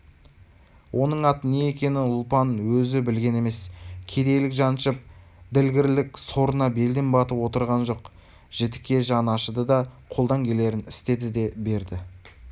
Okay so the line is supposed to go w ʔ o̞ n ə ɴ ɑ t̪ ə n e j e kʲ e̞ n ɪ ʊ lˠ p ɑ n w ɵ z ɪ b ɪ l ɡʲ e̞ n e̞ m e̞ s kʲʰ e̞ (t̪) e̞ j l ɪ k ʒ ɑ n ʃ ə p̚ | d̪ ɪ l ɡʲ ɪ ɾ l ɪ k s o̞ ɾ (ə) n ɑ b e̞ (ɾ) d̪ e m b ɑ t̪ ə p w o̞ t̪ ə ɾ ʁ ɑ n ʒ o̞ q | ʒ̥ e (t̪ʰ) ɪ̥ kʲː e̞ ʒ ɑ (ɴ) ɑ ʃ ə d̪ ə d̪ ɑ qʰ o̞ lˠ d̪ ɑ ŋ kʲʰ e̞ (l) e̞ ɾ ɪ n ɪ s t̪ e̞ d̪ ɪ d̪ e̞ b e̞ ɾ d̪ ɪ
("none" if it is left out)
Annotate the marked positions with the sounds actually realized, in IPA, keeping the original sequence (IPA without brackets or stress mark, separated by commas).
d̪, ə, l, t̪, n, l